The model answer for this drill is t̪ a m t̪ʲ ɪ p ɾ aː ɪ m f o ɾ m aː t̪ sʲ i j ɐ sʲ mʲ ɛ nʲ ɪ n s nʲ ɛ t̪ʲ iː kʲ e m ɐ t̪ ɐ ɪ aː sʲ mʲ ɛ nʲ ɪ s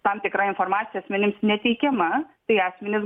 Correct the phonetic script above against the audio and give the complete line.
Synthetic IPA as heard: t̪ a m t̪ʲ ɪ k ɾ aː ɪ n f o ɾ m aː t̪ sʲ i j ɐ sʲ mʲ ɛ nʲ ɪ m s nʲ ɛ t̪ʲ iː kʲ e m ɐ t̪ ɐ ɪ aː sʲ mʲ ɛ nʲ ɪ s

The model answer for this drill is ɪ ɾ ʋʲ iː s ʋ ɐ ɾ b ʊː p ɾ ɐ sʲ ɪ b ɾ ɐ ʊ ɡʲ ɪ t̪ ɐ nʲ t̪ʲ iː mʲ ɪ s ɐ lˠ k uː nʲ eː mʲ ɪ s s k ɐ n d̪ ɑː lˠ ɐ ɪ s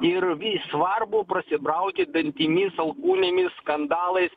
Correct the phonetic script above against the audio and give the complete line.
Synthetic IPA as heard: ɪ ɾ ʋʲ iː s ʋ ɐ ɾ b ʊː p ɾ ɐ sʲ ɪ b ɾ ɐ ʊ kʲ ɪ d̪ ɐ nʲ t̪ʲ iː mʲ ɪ s ɐ lˠ k uː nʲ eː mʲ ɪ s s k ɐ n d̪ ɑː lˠ ɐ ɪ s

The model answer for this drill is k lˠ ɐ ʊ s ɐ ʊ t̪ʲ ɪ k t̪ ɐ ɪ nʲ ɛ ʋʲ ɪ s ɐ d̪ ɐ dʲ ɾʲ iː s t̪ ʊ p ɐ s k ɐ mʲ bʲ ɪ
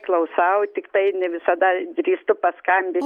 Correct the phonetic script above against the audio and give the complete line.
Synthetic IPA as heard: k lˠ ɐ ʊ s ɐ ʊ t̪ʲ ɪ k t̪ ɐ ɪ nʲ ɛ ʋʲ ɪ s ɐ d̪ ɐ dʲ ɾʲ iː s t̪ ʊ p ɐ s k ɐ mʲ bʲ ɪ

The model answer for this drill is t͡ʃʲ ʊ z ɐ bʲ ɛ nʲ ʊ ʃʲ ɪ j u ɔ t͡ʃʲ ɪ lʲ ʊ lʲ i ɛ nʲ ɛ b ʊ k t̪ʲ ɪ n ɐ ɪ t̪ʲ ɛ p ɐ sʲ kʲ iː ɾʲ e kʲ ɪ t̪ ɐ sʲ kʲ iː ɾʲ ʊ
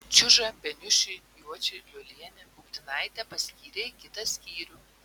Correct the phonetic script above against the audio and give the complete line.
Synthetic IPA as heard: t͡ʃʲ ʊ ʒ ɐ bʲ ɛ nʲ ʊ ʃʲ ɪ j u ɔ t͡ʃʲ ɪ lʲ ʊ lʲ i ɛ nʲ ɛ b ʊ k t̪ʲ ɪ n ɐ ɪ t̪ʲ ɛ p ɐ sʲ kʲ iː ɾʲ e kʲ ɪ t̪ ɐ sʲ kʲ iː ɾʲ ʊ

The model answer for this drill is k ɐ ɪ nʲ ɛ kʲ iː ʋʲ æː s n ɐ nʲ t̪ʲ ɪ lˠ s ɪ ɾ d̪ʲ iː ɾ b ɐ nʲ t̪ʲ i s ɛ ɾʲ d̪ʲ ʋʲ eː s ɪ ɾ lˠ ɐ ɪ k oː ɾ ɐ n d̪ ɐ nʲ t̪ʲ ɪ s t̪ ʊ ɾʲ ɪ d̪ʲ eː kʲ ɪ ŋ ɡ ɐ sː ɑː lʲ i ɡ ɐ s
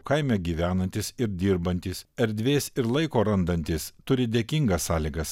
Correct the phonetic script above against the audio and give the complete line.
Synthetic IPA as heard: k ɐ ɪ mʲ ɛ ɡʲ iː ʋʲ æː n ɐ nʲ t̪ʲ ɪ s ɪ ɾ d̪ʲ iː ɾ b ɐ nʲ t̪ʲ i s ɛ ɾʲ d̪ʲ ʋʲ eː s ɪ ɾ lˠ ɐ ɪ k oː ɾ ɐ n d̪ ɐ nʲ t̪ʲ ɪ s t̪ ʊ ɾʲ ɪ d̪ʲ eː kʲ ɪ ŋ ɡ ɐ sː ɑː lʲ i ɡ ɐ s

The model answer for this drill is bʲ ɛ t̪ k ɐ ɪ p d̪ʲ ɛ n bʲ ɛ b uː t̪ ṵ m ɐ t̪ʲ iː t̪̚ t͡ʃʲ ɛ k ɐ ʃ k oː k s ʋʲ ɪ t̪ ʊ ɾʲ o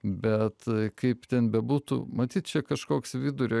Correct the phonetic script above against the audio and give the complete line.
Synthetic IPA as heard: bʲ ɛ t̪ k ɐ ɪ p t̪ʲ ɛ n bʲ ɛ b uː t̪ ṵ m ɐ t̪ʲ iː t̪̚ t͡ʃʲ ɛ k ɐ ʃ k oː k s ʋʲ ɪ d̪ ʊ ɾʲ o

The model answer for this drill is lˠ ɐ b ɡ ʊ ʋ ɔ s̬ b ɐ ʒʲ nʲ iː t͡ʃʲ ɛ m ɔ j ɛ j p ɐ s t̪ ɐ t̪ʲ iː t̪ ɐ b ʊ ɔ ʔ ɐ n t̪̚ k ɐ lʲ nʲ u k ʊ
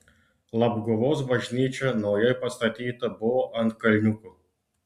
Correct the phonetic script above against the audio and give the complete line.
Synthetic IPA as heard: lˠ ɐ b ɡ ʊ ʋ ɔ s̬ b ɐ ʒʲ nʲ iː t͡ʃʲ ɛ n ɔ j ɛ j p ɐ s t̪ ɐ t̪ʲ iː t̪ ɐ b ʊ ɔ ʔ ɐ n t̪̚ k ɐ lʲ nʲ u k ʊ

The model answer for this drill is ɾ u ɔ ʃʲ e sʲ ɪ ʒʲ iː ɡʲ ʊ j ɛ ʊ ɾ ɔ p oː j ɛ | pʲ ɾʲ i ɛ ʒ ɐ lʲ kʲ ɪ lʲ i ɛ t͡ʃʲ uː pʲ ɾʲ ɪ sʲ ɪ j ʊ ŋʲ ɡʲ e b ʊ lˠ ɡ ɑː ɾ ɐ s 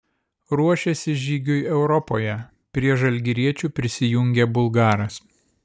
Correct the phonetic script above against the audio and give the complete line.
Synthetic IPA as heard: ɾ u ɔ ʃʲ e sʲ ɪ ʒʲ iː ɡʲ ʊ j ɛ ʊ ɾ ɔ p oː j ɛ | pʲ ɾʲ i ɛ ʒ ɐ lʲ ɡʲ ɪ ɾʲ i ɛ t͡ʃʲ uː pʲ ɾʲ ɪ sʲ ɪ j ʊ ŋʲ ɡʲ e b ʊ lˠ ɡ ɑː ɾ ɐ s

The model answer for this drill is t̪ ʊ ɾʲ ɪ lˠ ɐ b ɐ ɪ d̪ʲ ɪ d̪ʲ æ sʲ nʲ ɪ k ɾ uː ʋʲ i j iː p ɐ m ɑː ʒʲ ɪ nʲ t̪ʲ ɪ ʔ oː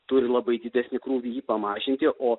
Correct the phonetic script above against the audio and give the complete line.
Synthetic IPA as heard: t̪ ʊ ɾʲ ɪ lˠ ɐ b ɐ ɪ d̪ʲ ɪ d̪ʲ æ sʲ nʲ ɪ k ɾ uː ʋʲ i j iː p ɐ m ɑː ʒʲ ɪ nʲ t̪ʲ ɪ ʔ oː

